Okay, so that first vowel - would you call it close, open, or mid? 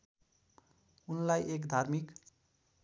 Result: close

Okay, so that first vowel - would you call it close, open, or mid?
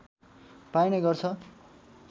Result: open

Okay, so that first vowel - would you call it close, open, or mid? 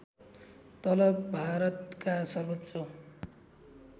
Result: mid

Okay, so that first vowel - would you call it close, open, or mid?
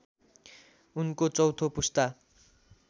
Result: close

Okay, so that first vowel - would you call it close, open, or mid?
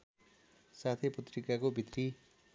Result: open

